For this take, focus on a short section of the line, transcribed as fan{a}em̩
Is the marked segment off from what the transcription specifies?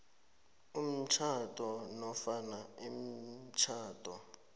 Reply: no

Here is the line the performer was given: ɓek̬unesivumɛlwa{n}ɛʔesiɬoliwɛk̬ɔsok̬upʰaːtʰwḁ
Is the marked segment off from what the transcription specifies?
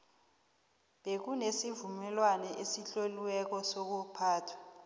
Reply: no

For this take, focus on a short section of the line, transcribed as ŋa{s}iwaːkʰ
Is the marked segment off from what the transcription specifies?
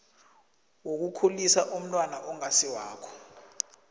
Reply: no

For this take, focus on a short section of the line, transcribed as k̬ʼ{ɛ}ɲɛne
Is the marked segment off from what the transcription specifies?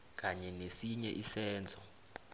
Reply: yes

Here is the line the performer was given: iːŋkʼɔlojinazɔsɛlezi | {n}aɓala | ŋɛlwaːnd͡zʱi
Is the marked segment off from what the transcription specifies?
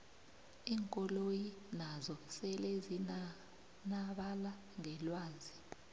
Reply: no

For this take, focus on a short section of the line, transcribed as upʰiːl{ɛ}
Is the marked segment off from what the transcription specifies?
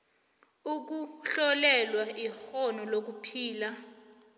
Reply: yes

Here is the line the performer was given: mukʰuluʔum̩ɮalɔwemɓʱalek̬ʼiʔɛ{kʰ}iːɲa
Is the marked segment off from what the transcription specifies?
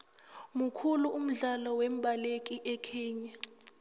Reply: no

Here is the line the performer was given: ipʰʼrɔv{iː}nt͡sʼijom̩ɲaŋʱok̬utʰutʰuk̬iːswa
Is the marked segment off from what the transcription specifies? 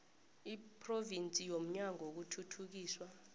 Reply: yes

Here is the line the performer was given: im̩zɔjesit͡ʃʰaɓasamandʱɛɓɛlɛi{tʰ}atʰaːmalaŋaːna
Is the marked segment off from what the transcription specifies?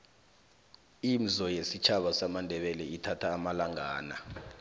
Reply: no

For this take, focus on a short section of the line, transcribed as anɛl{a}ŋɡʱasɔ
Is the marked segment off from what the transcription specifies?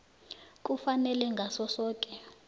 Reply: yes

